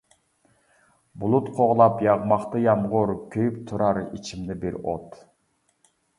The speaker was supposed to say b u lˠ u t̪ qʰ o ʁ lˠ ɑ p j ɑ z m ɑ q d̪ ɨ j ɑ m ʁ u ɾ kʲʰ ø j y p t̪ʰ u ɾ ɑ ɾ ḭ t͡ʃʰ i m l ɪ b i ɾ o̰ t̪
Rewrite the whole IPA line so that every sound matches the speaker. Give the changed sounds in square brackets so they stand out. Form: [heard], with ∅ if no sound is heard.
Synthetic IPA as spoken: b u lˠ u t̪ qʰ o ʁ lˠ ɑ p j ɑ [ʁ] m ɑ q [t̪] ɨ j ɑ m ʁ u ɾ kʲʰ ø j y p t̪ʰ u ɾ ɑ ɾ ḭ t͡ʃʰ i m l ɪ b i ɾ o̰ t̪

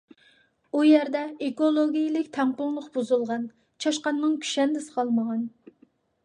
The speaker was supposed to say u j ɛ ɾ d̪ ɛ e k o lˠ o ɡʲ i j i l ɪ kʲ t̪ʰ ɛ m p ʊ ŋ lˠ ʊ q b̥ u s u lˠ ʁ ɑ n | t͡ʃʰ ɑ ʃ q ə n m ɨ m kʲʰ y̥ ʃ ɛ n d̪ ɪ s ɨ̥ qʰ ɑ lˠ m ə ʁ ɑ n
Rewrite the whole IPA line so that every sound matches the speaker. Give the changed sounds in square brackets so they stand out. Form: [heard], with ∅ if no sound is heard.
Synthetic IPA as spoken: u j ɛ ɾ d̪ ɛ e k o lˠ o ɡʲ i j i l ɪ kʲ t̪ʰ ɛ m p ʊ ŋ lˠ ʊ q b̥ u [z] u lˠ ʁ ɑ n | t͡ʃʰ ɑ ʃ q [ɑ] n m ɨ [ŋ] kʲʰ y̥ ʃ ɛ n d̪ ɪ s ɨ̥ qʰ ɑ lˠ m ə ʁ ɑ n

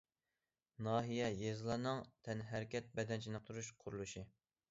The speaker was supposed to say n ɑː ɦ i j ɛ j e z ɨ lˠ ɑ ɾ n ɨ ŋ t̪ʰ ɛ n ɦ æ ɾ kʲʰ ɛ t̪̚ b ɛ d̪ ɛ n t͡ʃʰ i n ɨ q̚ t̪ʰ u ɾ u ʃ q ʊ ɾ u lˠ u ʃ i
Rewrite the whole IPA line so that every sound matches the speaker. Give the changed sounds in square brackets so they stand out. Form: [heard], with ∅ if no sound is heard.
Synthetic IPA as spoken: n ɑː ɦ i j ɛ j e z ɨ lˠ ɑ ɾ n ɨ ŋ t̪ʰ ɛ n ɦ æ ɾ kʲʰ ɛ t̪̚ b ɛ d̪ ɛ n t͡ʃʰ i n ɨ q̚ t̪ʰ u ɾ u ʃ [qʰ] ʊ ɾ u lˠ u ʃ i

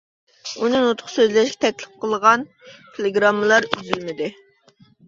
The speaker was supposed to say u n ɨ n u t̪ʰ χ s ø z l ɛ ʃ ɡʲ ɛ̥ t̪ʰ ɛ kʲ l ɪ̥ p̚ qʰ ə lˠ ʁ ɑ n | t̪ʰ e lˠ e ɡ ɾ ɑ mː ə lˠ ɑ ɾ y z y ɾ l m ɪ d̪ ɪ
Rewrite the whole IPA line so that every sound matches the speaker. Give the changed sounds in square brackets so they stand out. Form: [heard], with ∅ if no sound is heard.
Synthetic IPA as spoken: u n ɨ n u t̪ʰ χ s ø z l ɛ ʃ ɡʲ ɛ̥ t̪ʰ ɛ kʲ l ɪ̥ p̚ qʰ ə lˠ ʁ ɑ n | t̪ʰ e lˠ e ɡ ɾ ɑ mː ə lˠ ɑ ɾ y z y [∅] l m ɪ d̪ ɪ

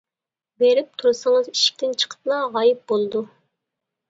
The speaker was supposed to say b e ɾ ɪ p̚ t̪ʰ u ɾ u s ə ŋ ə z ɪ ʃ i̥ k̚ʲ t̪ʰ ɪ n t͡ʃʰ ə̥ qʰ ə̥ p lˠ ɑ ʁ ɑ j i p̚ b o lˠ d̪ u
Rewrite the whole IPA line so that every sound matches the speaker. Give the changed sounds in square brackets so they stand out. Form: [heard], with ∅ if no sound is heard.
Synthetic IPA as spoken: b e ɾ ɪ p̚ t̪ʰ u ɾ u s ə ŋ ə z [i] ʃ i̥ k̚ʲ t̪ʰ ɪ n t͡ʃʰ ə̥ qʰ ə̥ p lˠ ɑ ʁ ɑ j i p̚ b o lˠ d̪ u

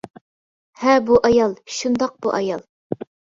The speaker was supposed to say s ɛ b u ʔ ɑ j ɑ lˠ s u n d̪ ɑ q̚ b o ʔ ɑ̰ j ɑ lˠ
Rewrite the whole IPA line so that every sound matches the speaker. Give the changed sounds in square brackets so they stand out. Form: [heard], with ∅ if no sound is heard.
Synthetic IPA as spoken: [h] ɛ b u ʔ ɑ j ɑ lˠ [ʃ] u n d̪ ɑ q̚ b [u] ʔ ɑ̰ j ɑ lˠ

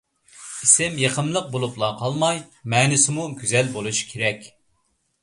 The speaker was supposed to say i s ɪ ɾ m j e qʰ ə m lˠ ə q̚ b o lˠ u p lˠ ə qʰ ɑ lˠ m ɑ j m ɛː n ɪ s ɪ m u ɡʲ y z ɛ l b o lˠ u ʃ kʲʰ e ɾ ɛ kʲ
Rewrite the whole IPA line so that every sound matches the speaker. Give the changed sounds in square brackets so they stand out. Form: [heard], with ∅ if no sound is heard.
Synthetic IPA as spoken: i s ɪ [∅] m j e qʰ ə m lˠ ə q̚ b o lˠ u p lˠ [ɑ] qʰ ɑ lˠ m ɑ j m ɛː n ɪ s ɪ m u ɡʲ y z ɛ l b o lˠ u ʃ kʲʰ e ɾ ɛ kʲ

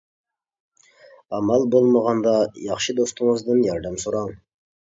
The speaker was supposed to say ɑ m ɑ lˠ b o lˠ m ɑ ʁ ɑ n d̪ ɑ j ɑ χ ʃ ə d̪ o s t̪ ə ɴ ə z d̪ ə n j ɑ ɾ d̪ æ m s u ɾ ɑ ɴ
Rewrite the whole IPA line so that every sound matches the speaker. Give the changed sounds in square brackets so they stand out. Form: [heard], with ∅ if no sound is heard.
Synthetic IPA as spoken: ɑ m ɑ lˠ b o lˠ m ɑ ʁ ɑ n d̪ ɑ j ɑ χ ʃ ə d̪ o s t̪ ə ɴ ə z d̪ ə n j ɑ ɾ d̪ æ m s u ɾ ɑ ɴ

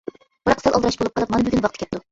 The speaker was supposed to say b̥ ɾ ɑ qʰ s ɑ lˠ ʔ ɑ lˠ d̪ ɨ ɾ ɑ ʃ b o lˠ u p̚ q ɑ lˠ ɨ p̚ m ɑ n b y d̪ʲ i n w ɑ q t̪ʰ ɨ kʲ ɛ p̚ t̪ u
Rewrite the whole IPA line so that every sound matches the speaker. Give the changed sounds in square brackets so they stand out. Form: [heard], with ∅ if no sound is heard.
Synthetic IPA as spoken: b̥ ɾ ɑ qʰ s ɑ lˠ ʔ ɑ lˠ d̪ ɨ ɾ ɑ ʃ b o lˠ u p̚ q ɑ lˠ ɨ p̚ m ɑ n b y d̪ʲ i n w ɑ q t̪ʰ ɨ kʲ ɛ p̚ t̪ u

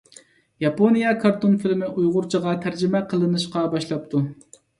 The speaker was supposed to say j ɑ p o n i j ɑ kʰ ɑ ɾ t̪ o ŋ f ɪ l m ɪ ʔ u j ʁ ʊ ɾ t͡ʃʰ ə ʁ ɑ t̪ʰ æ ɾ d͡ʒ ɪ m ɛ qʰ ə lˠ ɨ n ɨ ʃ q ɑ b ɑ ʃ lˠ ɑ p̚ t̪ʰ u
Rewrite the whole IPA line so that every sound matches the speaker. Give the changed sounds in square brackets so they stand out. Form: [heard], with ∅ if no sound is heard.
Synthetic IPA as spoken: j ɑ p o n i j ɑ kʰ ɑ ɾ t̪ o [n] f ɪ l m ɪ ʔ u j ʁ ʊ ɾ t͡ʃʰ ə ʁ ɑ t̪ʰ æ ɾ d͡ʒ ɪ m ɛ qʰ ə lˠ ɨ n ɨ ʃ q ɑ b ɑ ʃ lˠ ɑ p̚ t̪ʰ u

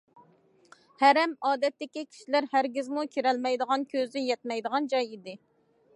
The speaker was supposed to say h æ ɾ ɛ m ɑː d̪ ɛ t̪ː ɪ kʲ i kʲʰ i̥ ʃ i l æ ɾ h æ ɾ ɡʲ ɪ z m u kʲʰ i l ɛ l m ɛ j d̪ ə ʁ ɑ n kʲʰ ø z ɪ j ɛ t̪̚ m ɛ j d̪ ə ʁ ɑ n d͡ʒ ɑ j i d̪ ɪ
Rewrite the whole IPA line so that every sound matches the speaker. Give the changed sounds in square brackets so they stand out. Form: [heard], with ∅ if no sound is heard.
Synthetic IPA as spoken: h æ ɾ ɛ m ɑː d̪ ɛ t̪ː ɪ kʲ i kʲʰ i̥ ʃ i l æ ɾ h æ ɾ ɡʲ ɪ z m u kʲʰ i [ɾ] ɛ l m ɛ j d̪ ə ʁ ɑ n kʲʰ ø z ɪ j ɛ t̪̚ m ɛ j d̪ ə ʁ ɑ n d͡ʒ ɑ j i d̪ ɪ

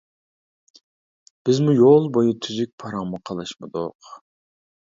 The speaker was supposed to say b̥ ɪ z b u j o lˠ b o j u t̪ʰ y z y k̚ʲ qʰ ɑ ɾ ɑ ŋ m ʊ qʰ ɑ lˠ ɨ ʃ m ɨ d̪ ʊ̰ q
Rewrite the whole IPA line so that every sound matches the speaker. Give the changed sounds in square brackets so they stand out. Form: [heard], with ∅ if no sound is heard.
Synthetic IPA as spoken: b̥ ɪ z [m] u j o lˠ b o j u t̪ʰ y z y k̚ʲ [pʰ] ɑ ɾ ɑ ŋ m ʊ qʰ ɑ lˠ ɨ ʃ m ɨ d̪ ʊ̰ q

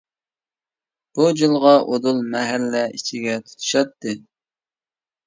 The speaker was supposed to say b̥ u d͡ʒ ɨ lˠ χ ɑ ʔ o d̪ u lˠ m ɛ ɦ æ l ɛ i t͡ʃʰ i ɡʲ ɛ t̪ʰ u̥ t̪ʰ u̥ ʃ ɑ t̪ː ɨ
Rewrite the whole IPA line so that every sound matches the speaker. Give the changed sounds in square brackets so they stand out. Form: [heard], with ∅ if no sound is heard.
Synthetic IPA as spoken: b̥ u d͡ʒ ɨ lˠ [ʁ] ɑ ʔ o d̪ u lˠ m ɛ ɦ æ [lː] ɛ i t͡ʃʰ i ɡʲ ɛ t̪ʰ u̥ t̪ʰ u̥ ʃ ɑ t̪ː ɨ

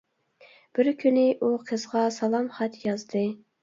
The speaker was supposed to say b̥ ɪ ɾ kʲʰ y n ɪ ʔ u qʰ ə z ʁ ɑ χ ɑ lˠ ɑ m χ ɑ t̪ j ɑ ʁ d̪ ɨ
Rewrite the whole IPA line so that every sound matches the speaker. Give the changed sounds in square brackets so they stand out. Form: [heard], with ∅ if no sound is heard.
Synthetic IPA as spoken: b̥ ɪ ɾ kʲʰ y n ɪ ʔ u qʰ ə z ʁ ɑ [s] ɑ lˠ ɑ m χ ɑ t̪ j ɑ [z] d̪ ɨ

